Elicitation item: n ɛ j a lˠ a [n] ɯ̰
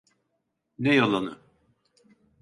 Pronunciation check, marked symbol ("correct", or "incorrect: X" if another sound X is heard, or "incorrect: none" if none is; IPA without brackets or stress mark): correct